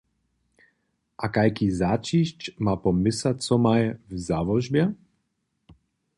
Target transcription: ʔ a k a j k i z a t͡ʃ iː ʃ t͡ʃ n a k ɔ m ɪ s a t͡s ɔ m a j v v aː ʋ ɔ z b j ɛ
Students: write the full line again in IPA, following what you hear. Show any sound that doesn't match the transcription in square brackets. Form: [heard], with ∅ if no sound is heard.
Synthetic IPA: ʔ a k a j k i z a t͡ʃ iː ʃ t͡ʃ [m] a [p] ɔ m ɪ s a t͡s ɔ m a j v [z] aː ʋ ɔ [ʒ] b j ɛ